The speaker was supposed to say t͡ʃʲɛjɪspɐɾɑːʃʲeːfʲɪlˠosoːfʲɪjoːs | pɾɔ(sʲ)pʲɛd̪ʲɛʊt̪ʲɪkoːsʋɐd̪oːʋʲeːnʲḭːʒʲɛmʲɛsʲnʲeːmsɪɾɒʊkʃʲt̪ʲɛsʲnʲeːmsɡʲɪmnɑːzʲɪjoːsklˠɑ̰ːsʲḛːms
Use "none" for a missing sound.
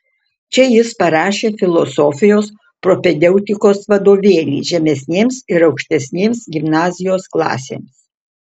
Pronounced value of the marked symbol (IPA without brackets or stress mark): none